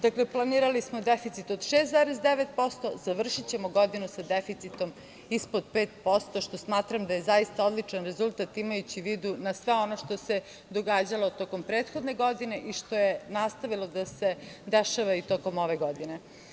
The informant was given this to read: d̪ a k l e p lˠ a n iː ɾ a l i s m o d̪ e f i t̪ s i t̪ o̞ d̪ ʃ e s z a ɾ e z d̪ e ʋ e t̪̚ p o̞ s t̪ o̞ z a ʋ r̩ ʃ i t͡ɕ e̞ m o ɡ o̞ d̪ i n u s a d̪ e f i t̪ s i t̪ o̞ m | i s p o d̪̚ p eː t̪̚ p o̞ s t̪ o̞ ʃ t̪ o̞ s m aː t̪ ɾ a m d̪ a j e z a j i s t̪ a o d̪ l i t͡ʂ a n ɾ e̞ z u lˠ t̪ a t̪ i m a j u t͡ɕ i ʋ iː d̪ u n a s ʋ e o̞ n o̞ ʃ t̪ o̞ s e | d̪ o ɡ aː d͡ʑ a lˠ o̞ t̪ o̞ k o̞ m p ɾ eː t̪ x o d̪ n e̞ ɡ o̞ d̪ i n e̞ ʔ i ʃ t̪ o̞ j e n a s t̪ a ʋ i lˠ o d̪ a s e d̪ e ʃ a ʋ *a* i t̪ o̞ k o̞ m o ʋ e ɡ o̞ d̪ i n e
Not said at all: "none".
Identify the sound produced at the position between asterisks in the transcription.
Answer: a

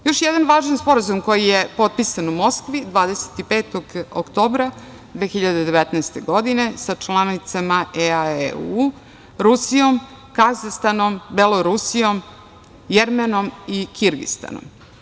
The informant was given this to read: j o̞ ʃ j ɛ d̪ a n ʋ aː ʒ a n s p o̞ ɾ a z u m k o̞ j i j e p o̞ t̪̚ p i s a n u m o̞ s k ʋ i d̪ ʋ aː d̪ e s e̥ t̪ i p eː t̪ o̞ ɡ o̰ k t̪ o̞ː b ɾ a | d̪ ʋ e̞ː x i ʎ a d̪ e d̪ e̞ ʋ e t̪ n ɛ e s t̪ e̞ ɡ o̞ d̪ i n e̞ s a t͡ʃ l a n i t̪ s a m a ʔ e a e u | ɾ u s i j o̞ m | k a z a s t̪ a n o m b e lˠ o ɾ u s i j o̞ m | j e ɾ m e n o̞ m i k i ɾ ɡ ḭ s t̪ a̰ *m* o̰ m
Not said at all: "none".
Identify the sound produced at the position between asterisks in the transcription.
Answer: n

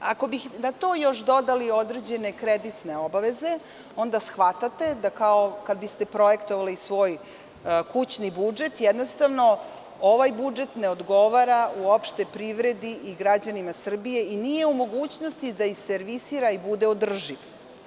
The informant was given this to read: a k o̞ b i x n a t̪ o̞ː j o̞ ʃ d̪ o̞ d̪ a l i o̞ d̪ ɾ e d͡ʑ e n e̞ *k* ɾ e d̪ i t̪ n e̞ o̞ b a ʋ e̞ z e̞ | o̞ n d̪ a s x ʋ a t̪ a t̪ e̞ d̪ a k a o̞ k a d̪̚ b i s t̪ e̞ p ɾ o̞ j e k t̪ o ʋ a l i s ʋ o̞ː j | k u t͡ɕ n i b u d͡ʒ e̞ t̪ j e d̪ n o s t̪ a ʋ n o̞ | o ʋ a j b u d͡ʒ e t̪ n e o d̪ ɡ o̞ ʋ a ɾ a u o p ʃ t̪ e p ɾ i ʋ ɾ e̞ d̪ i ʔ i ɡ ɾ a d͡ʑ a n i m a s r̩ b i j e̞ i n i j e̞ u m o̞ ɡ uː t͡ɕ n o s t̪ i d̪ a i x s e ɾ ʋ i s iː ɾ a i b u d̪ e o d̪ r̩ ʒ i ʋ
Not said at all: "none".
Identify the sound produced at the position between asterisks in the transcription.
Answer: k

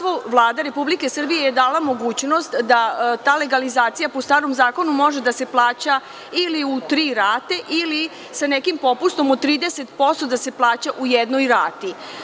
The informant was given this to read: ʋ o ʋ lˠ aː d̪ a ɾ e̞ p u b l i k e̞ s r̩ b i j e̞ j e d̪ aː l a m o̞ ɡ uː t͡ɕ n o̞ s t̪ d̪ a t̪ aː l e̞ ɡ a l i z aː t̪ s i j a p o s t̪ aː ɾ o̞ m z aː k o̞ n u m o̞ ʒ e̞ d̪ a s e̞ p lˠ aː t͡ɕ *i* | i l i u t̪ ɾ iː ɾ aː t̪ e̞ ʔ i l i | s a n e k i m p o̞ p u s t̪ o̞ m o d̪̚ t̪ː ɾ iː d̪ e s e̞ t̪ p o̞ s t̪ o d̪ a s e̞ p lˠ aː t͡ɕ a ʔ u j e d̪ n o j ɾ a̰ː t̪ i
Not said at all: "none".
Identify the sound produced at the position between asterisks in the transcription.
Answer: a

